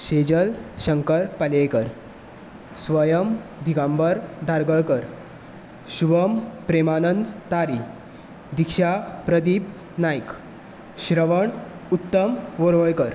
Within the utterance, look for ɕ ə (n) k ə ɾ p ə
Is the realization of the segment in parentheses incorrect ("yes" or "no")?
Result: yes